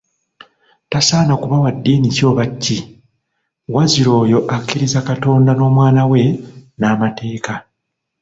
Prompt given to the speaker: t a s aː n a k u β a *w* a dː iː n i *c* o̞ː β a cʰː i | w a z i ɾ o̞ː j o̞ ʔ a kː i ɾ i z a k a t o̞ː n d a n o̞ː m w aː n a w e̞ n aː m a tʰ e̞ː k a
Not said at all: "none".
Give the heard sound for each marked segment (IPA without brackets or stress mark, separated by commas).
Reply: w, c